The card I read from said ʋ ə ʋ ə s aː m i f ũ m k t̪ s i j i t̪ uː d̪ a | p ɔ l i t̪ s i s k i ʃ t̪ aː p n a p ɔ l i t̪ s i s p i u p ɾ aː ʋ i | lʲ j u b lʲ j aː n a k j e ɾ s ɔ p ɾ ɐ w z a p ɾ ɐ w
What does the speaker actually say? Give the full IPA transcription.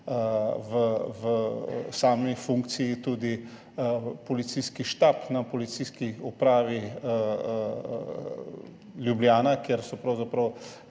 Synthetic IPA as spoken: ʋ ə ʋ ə s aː m i f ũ ŋ k t̪ s i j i t̪ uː d̪ i | p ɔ l i t̪ s i s k i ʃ t̪ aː p n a p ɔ l i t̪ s i s k i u p ɾ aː ʋ i | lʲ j u b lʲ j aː n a k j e ɾ s ɔ p ɾ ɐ w z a p ɾ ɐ w